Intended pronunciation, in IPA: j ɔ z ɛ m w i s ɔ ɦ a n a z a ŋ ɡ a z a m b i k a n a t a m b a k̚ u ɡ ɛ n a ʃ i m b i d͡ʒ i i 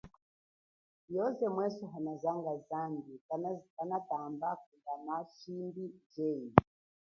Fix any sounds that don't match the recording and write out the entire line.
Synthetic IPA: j ɔ z ɛ m w ɛ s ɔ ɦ a n a z a ŋ ɡ a z a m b i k a n a t a m b a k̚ u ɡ a n a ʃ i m b i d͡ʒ ɛ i